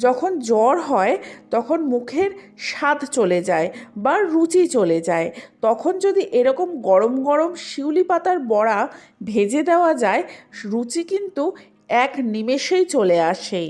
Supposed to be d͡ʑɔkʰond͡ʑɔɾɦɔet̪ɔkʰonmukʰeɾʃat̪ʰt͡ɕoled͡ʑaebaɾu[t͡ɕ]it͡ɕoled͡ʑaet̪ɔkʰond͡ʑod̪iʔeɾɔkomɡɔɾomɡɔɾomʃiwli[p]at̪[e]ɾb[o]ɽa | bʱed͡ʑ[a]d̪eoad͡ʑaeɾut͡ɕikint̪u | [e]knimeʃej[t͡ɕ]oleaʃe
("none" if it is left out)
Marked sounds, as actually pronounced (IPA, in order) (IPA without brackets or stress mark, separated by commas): t͡ɕ, p, a, ɔ, e, ɛ, t͡ɕ